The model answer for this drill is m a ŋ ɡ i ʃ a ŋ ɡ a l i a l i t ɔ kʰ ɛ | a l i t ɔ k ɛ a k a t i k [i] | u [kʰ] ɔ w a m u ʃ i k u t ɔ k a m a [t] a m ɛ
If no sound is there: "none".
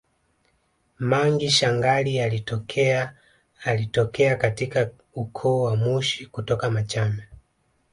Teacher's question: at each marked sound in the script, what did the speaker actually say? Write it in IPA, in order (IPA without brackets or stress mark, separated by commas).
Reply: a, kʰ, t͡ʃ